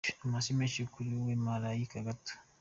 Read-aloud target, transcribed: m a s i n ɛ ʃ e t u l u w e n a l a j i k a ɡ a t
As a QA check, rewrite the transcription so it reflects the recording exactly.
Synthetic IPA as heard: m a s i m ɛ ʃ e k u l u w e m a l a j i k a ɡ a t

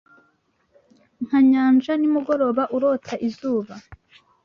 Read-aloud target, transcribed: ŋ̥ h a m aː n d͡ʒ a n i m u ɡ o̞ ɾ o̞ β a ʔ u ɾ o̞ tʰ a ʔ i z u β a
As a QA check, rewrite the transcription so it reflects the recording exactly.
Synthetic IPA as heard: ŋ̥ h a ɲ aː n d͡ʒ a n i m u ɡ o̞ ɾ o̞ β a ʔ u ɾ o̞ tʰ a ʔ i z uː β a

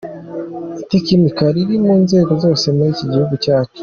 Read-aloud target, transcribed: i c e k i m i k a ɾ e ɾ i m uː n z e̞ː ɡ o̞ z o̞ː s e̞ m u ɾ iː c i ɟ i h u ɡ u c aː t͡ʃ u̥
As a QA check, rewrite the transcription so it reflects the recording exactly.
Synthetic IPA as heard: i t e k i m i k a ɾ i ɾ i m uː n z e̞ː ɡ o̞ z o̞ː s e̞ m u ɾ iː c i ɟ i h u ɡ u c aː t͡ʃ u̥

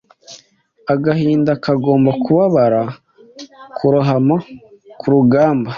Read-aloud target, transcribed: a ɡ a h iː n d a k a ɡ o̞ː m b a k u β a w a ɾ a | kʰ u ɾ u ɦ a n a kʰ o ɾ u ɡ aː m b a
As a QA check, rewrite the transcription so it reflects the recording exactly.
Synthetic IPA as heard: a ɡ a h iː n d a k a ɡ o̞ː m b a k u β a β a ɾ a | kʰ u ɾ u ɦ a m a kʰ u ɾ u ɡ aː m b a

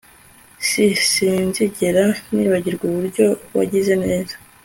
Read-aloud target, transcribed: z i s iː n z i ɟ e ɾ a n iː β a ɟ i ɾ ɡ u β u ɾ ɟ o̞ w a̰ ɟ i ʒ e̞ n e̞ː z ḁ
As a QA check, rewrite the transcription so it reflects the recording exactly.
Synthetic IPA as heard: s i s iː n z i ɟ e ɾ a n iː β a ɟ i ɾ ɡ u β u ɾ ɟ o̞ w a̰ ɟ i z e̞ n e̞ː z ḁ

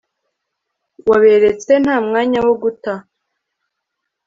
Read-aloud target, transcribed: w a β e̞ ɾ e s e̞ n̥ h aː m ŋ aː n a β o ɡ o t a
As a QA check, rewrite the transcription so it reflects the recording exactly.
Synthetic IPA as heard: w a β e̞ ɾ e t͡s e̞ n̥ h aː m ŋ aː ɲ a w o ɡ u t a

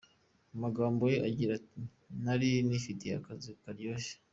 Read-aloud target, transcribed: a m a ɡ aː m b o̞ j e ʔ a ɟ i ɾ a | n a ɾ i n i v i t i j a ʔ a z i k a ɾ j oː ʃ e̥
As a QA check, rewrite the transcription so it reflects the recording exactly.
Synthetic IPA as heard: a m a ɡ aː m b o̞ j e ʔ a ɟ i ɾ a | n a ɾ i n i f i t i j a k a z i k a ɾ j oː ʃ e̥

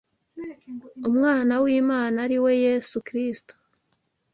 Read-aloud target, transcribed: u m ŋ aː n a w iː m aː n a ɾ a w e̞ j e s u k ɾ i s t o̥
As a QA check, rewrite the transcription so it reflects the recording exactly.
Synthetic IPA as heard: u m ŋ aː n a w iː m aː n a ɾ i w e̞ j e s u k ɾ i s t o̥

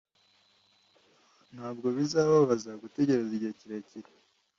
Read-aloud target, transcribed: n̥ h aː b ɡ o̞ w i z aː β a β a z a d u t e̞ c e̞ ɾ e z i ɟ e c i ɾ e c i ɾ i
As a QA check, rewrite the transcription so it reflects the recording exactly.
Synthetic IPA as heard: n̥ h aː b ɡ o̞ β i z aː β a β a z a ɡ u t e̞ ɟ e̞ ɾ e z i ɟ e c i ɾ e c i ɾ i

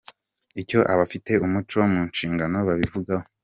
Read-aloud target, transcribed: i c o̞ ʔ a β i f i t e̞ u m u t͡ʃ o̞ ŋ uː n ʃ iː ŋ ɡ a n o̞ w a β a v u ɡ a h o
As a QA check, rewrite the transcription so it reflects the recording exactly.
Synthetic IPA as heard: i c o̞ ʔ a β a f i t e̞ u m u t͡ʃ o̞ m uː n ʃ iː ŋ ɡ a n o̞ β a β i v u ɡ a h o

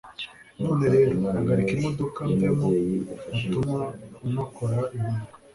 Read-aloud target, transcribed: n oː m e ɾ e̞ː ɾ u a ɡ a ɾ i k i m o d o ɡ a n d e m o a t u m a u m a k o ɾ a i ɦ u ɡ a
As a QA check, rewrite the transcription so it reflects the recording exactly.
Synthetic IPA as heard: n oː n e ɾ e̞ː ɾ o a ɡ a ɾ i k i m o d o k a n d e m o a t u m a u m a k o ɾ a i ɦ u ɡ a

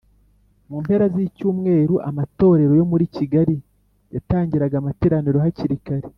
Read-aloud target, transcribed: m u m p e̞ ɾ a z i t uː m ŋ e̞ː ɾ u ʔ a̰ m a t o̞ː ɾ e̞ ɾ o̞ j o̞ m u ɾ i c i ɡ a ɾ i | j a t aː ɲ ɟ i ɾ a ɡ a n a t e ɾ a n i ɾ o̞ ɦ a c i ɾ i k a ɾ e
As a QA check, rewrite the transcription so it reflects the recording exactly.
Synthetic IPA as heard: m u m p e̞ ɾ a z i c uː m ŋ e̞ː ɾ u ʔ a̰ m a t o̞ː ɾ e̞ ɾ o̞ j o̞ m u ɾ i c i ɡ a ɾ i | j a t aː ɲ ɟ i ɾ a ɡ a m a t e ɾ a n i ɾ o̞ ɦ a c i ɾ i k a ɾ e

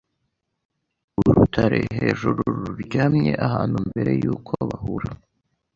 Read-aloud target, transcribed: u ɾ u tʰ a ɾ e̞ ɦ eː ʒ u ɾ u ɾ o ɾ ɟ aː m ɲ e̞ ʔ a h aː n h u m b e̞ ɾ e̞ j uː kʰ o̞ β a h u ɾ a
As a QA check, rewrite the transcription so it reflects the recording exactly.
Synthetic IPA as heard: u ɾ u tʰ a ɾ e̞ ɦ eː ʒ u ɾ u ɾ u ɾ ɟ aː m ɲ e̞ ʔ a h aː n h u m b e̞ ɾ e̞ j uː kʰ o̞ β a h u ɾ a

